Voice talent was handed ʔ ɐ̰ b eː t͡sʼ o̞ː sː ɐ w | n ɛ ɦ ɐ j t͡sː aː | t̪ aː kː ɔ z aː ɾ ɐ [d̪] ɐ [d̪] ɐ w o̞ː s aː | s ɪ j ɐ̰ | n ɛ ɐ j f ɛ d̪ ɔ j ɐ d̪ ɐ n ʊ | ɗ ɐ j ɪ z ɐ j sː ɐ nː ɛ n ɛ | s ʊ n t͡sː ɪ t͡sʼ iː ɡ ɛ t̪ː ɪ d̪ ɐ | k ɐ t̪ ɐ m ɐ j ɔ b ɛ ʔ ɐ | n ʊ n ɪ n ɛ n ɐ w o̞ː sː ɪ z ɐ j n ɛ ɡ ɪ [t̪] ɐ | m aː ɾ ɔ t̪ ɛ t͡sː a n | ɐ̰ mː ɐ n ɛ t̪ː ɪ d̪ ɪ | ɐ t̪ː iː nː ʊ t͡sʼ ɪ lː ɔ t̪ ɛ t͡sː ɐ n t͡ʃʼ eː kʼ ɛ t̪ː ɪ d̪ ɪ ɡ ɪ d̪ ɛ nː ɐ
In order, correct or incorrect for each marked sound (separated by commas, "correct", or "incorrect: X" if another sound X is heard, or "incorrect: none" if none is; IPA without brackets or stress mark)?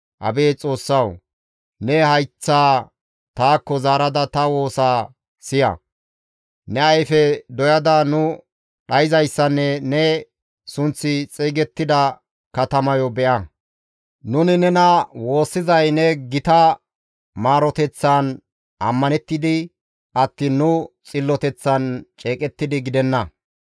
correct, incorrect: t̪, correct